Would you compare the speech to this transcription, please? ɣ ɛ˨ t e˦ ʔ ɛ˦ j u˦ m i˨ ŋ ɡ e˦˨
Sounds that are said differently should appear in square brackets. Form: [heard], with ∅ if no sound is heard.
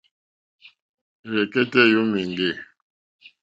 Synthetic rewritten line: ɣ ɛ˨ [k] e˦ [t] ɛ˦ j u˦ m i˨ ŋ ɡ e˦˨